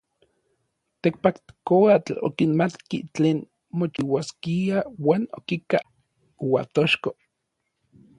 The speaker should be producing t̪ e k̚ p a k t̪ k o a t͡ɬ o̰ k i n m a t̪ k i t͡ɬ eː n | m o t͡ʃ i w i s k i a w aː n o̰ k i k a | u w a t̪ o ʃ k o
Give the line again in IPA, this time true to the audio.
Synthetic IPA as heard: t̪ e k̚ p a k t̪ k o a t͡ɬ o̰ k i n m a t̪ k i t͡ɬ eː n | m o t͡ʃ i w a s k i a w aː n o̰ k i k a | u w a t̪ o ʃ k o